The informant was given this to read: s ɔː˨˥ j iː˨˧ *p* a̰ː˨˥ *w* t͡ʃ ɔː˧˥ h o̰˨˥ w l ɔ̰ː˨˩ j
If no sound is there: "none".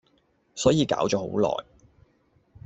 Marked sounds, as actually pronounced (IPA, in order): k, w

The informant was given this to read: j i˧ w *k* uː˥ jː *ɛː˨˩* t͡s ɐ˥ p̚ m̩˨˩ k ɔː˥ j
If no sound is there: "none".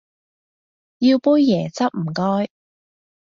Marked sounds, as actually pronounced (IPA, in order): p, ɛː˨˩

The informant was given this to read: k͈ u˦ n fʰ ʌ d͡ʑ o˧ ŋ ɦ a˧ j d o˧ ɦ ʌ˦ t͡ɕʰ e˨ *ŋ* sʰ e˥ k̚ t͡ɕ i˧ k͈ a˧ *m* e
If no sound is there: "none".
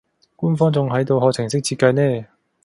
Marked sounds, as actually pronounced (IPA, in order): ŋ, n

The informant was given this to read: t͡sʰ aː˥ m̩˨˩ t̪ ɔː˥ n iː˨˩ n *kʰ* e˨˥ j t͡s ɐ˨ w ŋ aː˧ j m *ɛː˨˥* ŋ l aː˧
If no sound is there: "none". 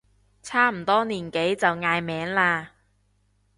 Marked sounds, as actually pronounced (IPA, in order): k, ɛː˨˥

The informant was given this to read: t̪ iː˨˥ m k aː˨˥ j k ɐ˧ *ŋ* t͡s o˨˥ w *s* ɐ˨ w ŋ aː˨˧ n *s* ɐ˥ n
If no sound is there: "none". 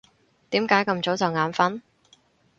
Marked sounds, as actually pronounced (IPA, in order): m, t͡s, f

